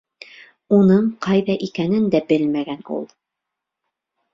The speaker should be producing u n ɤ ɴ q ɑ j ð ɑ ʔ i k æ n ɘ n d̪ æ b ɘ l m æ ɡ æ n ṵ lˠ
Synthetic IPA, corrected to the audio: u n ɤ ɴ q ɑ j ð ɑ ʔ i k æ n ɘ n d̪ æ b ɘ l m æ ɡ æ n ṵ lˠ